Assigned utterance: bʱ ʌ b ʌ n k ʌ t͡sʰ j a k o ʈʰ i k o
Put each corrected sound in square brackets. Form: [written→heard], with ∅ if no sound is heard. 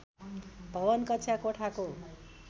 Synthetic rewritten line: bʱ ʌ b ʌ n k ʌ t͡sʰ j a k o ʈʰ [i→a] k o